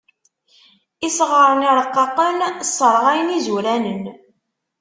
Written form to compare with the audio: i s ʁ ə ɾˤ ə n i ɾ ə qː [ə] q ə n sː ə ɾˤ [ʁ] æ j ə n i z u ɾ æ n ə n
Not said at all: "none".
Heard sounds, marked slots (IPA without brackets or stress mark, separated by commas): ɑ, ʁ